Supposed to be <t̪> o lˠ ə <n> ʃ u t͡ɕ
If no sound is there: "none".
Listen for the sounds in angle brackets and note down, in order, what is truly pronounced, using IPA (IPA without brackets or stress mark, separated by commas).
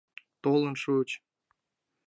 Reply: t̪, n